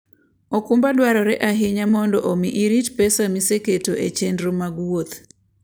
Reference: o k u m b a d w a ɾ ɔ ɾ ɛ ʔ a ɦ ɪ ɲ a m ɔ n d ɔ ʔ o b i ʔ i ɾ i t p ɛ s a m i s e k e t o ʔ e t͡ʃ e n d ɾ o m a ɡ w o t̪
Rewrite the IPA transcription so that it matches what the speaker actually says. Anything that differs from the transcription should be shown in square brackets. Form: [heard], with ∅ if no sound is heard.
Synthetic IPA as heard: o k u m b a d w a ɾ ɔ ɾ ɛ ʔ a ɦ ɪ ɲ a m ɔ n d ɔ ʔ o [m] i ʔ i ɾ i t p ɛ s a m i s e k e t o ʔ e t͡ʃ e n d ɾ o m a ɡ w o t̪